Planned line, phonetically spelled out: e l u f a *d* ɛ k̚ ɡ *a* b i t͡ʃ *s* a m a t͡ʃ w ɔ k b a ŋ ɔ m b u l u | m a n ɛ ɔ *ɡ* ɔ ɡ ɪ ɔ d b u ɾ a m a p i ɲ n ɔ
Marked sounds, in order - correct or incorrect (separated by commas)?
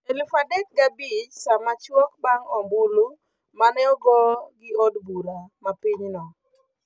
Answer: correct, correct, correct, correct